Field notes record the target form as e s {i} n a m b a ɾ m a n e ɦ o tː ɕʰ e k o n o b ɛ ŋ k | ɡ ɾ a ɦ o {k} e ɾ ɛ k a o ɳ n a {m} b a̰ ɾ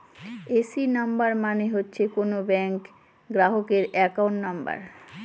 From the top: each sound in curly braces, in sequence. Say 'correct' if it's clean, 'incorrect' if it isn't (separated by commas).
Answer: correct, correct, correct